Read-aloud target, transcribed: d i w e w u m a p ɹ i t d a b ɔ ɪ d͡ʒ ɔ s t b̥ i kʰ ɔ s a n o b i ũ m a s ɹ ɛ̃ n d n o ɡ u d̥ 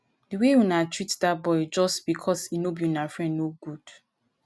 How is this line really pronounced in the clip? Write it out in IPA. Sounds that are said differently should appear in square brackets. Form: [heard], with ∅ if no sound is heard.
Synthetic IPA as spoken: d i w e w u [n] a [t] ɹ i t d a b ɔ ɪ d͡ʒ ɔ s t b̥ i kʰ ɔ s [i] n o b i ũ [n] a [f] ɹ ɛ̃ n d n o ɡ u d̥